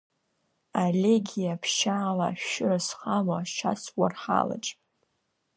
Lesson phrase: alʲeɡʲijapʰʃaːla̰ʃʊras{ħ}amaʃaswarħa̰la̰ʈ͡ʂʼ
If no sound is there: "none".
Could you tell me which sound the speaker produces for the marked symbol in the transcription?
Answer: χ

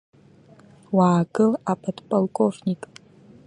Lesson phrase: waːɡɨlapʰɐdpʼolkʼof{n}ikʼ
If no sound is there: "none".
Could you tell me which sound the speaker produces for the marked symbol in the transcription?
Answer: n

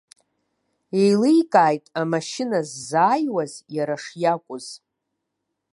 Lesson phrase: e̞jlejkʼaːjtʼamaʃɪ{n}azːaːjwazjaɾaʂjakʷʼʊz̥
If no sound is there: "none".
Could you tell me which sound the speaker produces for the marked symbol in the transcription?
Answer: n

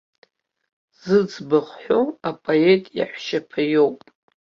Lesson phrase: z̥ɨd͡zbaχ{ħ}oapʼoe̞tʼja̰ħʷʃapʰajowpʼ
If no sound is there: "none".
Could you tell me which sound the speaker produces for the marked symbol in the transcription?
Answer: ħ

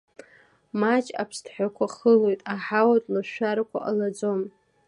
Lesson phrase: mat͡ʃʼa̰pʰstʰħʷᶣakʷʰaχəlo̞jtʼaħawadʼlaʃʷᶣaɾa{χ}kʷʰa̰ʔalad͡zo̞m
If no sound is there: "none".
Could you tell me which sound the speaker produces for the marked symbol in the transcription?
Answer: none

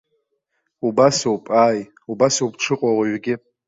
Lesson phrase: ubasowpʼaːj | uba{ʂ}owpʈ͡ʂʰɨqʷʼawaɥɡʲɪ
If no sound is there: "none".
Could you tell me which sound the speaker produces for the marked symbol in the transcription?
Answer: s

